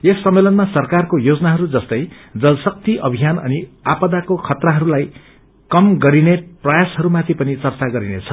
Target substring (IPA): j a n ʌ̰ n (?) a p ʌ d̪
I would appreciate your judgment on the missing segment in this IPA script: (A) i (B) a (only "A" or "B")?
A